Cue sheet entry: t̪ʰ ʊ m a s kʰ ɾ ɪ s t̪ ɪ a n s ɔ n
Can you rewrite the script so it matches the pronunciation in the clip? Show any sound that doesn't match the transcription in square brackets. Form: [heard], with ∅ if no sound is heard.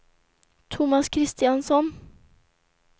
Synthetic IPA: t̪ʰ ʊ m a s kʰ ɾ ɪ s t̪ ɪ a n s ɔ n